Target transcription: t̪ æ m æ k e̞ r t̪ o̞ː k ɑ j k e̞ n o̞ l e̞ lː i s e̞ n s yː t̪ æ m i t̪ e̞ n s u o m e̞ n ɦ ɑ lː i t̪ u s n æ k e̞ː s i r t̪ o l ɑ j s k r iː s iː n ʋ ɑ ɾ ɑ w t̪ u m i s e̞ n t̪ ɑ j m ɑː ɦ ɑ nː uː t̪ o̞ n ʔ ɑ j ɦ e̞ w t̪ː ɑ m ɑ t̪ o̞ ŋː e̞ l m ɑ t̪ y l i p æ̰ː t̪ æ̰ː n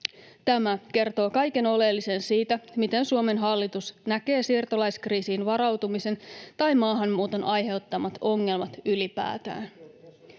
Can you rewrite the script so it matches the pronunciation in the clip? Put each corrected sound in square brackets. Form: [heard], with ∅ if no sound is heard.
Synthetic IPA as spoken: t̪ æ m æ k e̞ r t̪ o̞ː k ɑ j k e̞ n o̞ l e̞ lː i s e̞ n s [iː] t̪ æ m i t̪ e̞ n s u o m e̞ n ɦ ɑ lː i t̪ u s n æ k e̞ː s i r t̪ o l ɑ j s k r iː s iː n ʋ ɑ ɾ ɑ w t̪ u m i s e̞ n t̪ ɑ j m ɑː ɦ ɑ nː uː t̪ o̞ n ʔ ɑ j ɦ e̞ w t̪ː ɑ m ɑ t̪ o̞ ŋː e̞ l m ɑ t̪ y l i p æ̰ː t̪ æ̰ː n